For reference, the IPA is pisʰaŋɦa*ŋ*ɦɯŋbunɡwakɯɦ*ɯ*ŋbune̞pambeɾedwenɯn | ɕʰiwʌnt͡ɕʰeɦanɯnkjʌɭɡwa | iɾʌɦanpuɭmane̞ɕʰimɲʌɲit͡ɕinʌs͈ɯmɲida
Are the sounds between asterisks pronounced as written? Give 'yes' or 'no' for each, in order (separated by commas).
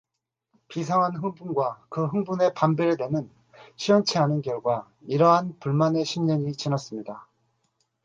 no, yes